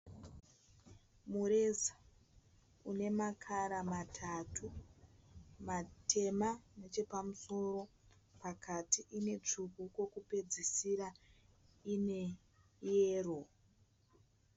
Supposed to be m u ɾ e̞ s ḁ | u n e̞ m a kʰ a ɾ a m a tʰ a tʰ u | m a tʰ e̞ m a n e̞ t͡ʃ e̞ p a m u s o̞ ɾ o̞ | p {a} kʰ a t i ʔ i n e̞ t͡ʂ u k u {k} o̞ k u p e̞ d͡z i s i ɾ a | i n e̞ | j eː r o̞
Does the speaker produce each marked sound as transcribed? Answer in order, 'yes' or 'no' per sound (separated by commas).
yes, yes